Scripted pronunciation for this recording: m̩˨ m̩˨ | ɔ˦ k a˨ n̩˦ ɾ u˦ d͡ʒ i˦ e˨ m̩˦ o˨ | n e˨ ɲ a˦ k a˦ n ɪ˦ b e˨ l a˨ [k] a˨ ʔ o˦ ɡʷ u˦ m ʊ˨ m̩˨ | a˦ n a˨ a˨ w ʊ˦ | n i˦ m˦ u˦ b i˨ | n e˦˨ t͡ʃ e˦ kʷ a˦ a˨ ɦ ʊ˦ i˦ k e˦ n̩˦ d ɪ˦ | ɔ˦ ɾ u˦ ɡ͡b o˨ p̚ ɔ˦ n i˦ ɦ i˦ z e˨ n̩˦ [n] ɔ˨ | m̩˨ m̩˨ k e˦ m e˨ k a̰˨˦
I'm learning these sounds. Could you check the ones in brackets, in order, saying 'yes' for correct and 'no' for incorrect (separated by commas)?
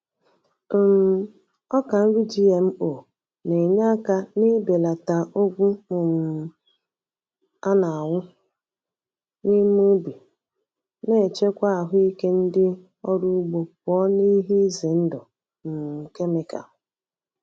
no, no